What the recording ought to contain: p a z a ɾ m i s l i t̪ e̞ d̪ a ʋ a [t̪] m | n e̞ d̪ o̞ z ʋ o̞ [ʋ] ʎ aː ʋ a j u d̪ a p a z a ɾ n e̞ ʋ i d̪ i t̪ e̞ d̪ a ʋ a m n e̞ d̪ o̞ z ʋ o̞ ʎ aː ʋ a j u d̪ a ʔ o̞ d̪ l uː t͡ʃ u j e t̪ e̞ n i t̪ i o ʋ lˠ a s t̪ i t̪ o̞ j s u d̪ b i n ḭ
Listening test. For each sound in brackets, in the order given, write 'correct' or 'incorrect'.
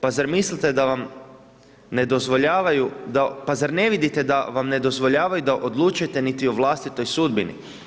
incorrect: none, incorrect: none

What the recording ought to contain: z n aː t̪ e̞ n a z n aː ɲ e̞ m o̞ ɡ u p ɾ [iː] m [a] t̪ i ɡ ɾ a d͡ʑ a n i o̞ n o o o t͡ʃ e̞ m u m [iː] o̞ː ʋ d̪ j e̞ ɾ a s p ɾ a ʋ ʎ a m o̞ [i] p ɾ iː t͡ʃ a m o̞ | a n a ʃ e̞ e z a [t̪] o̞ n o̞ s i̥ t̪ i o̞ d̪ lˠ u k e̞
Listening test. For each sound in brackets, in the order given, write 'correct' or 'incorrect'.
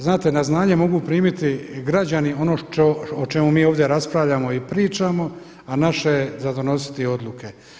correct, incorrect: i, correct, correct, incorrect: d̪

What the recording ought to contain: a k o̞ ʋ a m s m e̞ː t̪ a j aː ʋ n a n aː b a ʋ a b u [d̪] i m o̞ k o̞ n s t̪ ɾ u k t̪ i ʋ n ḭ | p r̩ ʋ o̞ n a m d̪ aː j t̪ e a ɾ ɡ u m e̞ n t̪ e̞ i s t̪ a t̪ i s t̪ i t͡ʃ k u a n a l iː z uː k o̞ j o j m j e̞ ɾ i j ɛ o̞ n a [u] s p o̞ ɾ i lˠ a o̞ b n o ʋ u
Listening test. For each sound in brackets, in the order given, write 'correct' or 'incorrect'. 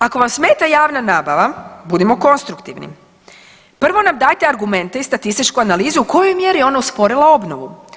correct, correct

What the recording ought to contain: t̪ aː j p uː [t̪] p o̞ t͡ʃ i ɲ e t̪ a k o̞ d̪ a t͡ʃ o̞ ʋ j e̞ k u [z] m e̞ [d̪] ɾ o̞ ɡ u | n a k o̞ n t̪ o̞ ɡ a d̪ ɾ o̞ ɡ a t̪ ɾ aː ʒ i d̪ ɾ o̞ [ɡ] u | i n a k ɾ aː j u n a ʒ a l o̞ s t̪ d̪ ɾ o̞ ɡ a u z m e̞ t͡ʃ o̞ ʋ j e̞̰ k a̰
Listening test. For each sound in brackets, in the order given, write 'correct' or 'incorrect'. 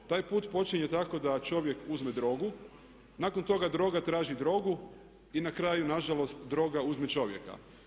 correct, correct, correct, correct

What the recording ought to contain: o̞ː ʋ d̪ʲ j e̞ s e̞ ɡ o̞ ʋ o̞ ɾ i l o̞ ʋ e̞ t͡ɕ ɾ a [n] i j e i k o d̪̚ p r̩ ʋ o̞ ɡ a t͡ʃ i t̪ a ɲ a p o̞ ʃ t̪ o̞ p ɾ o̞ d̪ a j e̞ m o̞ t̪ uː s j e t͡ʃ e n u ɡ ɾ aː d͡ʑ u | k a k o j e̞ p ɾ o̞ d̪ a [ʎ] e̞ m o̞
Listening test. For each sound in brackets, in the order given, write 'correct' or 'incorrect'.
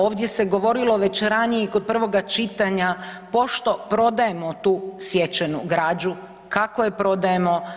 correct, incorrect: j

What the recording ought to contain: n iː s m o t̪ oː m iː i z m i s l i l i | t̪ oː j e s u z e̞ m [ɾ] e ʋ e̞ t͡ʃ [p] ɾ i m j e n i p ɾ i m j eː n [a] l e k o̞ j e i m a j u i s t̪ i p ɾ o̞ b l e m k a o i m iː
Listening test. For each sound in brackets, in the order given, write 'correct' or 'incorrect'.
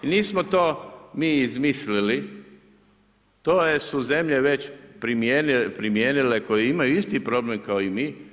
incorrect: ʎ, correct, incorrect: i

